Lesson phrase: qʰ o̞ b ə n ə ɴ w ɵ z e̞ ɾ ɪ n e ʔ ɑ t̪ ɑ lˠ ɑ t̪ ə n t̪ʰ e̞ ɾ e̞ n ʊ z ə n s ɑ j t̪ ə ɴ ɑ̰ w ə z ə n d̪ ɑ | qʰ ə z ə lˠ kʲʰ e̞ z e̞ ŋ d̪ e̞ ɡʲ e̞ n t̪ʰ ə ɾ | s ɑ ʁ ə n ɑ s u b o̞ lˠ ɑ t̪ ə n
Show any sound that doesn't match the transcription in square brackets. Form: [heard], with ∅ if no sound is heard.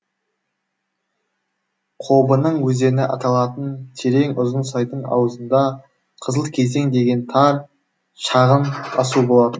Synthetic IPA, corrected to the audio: qʰ o̞ b ə n ə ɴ w ɵ z e̞ ɾ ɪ n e ʔ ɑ t̪ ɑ lˠ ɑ t̪ ə n t̪ʰ e̞ ɾ e̞ [ŋ] ʊ z ə n s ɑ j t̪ ə ɴ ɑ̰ w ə z ə n d̪ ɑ | qʰ ə z ə lˠ kʲʰ e̞ z e̞ ŋ d̪ e̞ ɡʲ e̞ n t̪ʰ [ɑ] ɾ | [ʃ] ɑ ʁ ə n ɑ s u b o̞ lˠ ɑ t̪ ə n